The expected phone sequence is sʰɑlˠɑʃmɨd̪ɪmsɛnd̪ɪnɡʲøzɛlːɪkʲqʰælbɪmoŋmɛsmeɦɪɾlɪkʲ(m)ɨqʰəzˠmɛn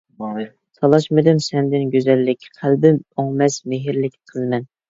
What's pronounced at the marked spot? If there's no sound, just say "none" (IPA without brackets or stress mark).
n